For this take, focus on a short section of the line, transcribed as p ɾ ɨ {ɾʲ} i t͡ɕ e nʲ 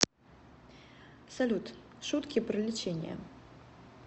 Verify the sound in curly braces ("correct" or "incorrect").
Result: incorrect